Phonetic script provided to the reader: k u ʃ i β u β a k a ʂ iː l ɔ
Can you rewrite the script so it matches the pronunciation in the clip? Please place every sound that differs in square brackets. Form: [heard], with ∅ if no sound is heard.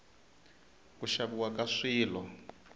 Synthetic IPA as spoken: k u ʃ [a] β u [w] a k a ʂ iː l ɔ